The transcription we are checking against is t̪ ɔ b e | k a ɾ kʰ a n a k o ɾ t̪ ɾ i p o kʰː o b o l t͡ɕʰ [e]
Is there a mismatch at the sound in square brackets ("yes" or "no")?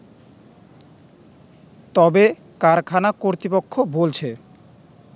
no